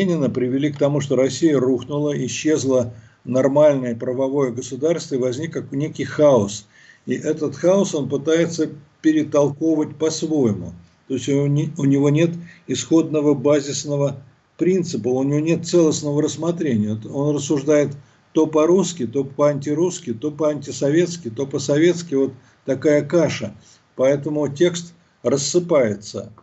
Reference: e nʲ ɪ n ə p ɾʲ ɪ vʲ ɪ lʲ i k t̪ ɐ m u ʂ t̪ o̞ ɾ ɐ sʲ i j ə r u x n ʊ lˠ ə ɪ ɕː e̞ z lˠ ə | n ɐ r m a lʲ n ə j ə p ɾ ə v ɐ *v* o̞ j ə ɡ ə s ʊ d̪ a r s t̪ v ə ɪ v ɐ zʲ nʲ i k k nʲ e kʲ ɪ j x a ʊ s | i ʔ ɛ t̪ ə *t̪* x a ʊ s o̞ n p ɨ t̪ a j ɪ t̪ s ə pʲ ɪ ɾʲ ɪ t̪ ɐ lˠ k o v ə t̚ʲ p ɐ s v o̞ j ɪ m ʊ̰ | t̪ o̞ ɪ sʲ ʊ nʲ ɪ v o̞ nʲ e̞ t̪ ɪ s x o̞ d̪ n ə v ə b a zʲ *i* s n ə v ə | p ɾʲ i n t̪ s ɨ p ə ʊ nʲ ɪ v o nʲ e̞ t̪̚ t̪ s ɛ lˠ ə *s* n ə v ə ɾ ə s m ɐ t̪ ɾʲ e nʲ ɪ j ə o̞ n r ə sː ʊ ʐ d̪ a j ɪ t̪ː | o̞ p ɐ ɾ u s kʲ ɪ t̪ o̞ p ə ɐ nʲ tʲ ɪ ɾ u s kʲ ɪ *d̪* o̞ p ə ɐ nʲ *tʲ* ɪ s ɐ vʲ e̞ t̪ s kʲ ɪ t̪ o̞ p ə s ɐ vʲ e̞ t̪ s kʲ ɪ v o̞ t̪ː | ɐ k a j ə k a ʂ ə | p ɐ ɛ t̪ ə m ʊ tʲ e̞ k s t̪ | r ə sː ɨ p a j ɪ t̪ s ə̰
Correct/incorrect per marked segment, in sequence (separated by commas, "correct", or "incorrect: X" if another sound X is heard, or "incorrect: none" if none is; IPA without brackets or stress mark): correct, correct, incorrect: ɪ, correct, incorrect: t̪, correct